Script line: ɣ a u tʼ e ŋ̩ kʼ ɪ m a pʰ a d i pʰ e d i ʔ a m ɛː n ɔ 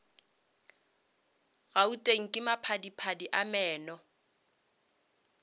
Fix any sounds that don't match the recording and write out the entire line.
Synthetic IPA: ɣ a u tʼ e ŋ̩ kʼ ɪ m a pʰ a d i pʰ a d i ʔ a m ɛː n ɔ